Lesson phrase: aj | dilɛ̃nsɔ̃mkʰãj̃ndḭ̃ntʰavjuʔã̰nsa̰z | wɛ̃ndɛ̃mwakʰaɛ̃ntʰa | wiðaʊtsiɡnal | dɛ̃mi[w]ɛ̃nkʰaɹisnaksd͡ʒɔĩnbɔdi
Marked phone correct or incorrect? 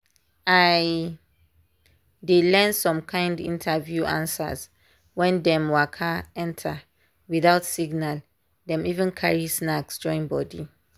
incorrect